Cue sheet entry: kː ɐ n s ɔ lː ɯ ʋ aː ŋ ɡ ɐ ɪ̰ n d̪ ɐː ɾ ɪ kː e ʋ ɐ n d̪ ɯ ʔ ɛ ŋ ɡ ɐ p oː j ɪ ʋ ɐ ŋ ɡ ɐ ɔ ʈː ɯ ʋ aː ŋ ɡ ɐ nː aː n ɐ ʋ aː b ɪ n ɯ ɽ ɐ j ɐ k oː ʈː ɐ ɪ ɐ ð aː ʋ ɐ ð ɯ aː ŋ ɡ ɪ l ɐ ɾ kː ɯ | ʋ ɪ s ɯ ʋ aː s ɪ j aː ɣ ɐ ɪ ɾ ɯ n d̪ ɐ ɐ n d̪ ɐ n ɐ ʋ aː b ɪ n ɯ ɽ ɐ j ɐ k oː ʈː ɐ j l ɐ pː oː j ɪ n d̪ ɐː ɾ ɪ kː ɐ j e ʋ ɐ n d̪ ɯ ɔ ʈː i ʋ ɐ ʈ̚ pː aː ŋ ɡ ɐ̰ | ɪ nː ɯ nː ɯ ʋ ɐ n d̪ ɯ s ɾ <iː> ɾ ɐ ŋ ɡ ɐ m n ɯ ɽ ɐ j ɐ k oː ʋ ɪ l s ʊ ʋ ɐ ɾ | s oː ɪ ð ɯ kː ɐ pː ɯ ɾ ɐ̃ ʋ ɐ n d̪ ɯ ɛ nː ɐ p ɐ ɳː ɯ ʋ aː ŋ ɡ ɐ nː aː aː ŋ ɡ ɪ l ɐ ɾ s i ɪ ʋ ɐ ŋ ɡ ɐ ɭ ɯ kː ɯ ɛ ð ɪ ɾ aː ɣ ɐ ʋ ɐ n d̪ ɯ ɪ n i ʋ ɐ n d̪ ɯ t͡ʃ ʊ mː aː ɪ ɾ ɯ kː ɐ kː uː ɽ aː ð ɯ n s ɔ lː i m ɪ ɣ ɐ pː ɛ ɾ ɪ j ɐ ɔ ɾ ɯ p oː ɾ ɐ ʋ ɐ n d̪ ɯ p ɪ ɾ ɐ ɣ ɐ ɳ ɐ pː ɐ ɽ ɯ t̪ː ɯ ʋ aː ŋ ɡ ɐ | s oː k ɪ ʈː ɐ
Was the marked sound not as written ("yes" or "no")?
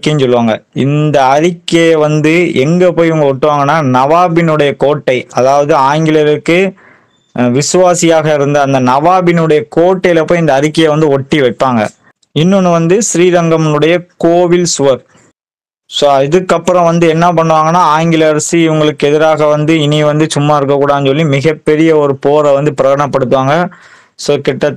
no